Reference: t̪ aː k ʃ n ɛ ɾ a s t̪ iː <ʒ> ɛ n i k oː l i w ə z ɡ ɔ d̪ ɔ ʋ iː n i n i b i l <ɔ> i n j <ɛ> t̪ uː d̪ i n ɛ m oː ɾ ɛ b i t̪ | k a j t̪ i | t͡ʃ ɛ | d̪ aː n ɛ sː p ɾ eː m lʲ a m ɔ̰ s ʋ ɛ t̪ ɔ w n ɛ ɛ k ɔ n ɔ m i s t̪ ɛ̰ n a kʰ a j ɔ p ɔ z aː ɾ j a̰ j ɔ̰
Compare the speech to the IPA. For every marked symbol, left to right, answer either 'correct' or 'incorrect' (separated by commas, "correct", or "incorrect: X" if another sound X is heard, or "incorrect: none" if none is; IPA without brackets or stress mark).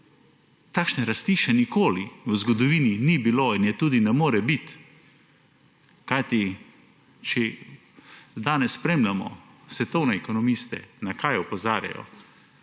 incorrect: ʃ, incorrect: o, correct